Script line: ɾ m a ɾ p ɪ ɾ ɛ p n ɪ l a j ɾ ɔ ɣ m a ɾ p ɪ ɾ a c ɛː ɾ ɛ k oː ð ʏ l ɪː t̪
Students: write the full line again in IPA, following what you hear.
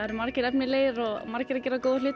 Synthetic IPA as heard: ɾ m a ɾ c ɪ ɾ ɛ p n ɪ l e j ɾ ɔ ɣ m a ɾ c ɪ ɾ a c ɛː ɾ a k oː ð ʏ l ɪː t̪